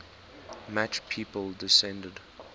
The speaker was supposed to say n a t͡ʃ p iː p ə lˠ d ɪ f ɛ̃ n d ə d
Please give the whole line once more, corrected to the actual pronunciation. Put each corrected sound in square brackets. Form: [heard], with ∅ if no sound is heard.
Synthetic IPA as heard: [m] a t͡ʃ [pʰ] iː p ə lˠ d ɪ [s] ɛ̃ n d ə d